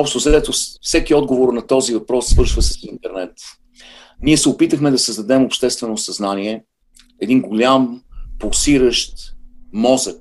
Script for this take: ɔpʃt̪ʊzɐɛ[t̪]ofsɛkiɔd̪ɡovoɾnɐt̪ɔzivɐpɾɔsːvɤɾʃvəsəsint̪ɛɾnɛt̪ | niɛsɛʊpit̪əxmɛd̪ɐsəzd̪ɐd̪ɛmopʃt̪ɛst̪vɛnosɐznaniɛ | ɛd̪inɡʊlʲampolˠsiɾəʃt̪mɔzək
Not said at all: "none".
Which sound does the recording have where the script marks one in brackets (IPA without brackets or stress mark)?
t̪